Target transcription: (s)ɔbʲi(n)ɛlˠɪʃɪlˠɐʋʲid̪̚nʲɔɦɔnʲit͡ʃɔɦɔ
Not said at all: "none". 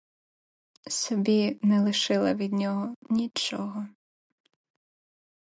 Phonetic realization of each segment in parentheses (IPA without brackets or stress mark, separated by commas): s, n